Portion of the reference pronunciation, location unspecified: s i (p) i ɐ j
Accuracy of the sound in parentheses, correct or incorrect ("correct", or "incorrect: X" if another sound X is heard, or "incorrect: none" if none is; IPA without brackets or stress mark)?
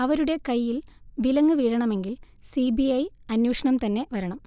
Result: incorrect: b